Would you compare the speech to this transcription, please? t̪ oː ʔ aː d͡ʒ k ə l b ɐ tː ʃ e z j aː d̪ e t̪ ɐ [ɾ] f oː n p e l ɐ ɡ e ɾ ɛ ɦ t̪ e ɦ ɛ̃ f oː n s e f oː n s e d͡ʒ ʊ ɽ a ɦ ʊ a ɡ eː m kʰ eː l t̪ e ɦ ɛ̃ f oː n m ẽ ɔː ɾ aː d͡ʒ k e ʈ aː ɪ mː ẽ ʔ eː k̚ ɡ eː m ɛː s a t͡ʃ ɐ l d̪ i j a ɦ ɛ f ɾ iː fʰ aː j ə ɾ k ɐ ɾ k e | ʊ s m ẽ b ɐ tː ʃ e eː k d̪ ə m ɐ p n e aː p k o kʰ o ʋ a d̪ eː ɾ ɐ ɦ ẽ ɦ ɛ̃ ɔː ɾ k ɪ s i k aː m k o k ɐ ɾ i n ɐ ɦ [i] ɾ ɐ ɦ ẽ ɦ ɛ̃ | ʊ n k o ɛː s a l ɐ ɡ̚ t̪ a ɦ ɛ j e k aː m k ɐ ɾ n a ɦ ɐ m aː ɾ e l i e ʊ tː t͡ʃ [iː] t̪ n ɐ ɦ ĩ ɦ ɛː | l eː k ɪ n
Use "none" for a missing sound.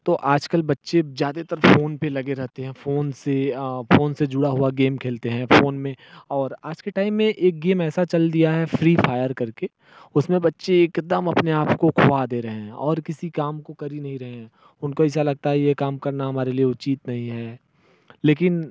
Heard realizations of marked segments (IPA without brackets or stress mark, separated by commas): ɾ, ĩ, iː